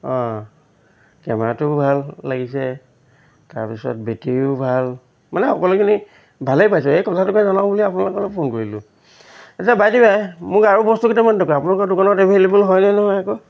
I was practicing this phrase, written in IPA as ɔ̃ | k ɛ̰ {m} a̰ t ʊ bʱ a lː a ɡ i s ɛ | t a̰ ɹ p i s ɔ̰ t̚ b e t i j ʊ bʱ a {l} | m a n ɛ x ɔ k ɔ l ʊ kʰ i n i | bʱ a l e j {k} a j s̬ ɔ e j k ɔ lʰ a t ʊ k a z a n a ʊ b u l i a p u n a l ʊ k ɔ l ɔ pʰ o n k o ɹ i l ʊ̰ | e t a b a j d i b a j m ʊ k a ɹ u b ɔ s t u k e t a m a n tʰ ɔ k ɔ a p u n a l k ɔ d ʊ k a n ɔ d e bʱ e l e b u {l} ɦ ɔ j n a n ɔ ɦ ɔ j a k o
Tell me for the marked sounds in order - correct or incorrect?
correct, correct, incorrect, correct

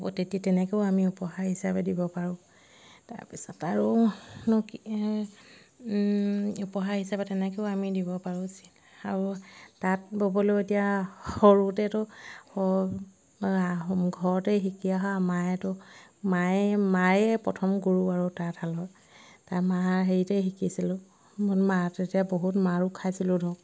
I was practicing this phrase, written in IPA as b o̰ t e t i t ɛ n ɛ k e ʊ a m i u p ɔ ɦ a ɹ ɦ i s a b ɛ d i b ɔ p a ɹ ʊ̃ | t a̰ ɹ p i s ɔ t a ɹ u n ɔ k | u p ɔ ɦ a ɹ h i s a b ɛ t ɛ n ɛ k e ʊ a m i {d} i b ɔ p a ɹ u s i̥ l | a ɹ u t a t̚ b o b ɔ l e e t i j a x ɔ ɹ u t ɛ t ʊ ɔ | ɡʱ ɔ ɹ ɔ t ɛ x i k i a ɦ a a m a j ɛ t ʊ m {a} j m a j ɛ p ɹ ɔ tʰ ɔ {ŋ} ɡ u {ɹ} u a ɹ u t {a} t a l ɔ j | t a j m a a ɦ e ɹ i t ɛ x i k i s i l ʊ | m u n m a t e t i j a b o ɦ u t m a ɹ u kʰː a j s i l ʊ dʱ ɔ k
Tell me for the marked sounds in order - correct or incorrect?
correct, correct, incorrect, correct, correct

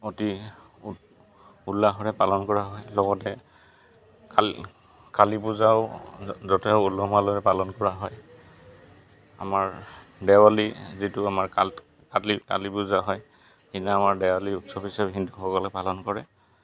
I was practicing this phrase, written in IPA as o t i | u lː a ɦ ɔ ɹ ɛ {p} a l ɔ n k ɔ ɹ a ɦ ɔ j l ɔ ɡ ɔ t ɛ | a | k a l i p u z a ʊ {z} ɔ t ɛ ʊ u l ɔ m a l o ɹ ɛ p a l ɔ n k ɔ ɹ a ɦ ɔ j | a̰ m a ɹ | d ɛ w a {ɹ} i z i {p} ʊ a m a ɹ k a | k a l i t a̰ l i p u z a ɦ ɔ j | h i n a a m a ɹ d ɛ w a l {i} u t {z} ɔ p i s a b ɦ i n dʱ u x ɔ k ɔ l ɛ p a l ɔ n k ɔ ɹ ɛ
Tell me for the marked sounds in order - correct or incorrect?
correct, correct, incorrect, incorrect, correct, incorrect

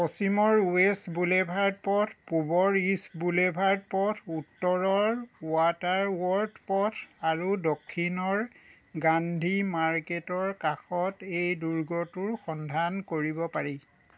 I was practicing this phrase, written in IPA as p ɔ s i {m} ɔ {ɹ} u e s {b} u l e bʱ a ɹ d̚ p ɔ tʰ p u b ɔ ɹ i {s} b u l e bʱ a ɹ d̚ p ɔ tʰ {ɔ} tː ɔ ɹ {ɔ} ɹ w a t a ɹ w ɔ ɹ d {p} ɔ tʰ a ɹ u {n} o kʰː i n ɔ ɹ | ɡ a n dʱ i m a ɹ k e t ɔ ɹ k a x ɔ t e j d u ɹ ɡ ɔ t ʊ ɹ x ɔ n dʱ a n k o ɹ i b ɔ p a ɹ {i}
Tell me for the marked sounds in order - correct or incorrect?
correct, correct, correct, correct, incorrect, correct, correct, incorrect, correct

